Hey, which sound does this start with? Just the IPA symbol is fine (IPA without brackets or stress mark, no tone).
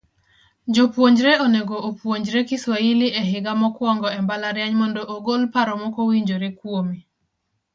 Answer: d͡ʒ